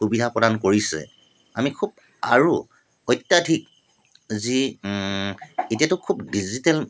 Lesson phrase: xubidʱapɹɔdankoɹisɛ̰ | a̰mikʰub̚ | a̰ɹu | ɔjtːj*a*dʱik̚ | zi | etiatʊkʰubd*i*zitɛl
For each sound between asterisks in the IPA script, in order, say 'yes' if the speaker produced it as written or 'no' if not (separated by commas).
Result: yes, yes